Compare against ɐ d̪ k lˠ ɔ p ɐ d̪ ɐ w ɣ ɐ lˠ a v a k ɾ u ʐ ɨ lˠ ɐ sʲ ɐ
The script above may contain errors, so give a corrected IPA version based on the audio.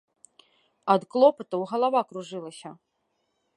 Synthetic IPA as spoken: ɐ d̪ k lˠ ɔ p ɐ t̪ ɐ w ɣ ɐ lˠ a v a k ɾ u ʐ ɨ lˠ ɐ sʲ ɐ